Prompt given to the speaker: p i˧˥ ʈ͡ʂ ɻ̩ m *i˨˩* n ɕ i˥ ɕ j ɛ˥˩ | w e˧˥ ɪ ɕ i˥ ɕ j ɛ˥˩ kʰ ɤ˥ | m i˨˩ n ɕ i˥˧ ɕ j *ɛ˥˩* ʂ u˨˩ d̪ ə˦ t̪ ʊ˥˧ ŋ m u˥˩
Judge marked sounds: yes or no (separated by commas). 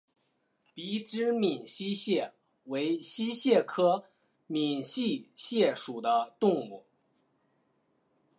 yes, yes